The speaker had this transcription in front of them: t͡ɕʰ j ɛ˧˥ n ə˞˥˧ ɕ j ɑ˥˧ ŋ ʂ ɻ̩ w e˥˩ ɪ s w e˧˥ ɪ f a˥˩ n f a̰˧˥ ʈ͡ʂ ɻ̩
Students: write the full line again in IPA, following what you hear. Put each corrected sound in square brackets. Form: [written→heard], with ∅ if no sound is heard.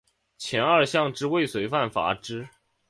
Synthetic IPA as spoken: t͡ɕʰ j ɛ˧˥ n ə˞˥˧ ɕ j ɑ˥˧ ŋ [ʂ→ʈ͡ʂ] ɻ̩ w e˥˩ ɪ s w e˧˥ ɪ f a˥˩ n f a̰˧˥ ʈ͡ʂ ɻ̩